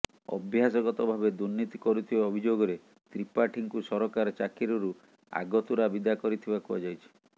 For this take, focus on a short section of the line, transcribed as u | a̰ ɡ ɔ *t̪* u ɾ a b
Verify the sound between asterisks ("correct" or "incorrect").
correct